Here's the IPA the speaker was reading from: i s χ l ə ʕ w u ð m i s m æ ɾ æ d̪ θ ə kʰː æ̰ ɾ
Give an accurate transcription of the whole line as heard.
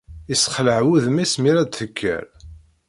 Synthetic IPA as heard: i s χ l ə ʕ w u ð m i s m i ɾ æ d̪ θ ə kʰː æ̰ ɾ